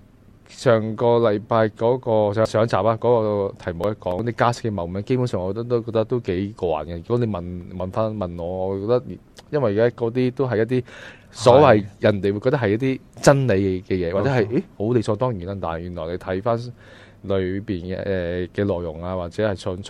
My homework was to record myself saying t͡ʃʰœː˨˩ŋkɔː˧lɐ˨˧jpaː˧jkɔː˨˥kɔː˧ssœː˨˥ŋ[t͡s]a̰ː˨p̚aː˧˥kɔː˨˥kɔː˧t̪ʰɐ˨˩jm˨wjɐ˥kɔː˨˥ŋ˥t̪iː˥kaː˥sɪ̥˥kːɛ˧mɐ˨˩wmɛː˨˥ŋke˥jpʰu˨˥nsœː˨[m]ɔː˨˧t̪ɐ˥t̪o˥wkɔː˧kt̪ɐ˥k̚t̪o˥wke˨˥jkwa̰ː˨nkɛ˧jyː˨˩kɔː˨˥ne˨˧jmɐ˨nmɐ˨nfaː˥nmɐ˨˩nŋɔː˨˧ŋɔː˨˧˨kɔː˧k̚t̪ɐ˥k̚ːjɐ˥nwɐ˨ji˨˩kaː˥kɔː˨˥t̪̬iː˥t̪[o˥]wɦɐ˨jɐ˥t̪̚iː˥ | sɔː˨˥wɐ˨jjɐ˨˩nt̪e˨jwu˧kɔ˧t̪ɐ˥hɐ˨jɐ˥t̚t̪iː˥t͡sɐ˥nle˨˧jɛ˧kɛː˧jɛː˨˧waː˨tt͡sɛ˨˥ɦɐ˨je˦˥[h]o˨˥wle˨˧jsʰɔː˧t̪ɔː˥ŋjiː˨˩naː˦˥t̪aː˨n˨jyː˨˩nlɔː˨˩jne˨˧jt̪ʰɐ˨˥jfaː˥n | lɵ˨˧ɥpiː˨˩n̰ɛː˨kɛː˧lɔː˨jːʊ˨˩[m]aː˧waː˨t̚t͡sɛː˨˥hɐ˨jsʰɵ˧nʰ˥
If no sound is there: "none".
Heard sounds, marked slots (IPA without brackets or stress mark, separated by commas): t͡s, ŋ, o˥, h, ŋ